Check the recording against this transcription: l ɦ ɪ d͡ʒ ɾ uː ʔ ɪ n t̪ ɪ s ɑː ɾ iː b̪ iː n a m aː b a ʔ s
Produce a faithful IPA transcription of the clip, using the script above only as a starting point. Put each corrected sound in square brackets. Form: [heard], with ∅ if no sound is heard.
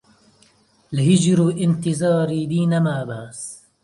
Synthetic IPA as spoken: l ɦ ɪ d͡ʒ ɾ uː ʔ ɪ n t̪ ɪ [z] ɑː ɾ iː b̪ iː n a m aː b a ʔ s